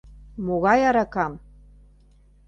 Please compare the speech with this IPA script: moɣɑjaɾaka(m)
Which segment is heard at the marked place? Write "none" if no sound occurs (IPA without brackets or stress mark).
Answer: m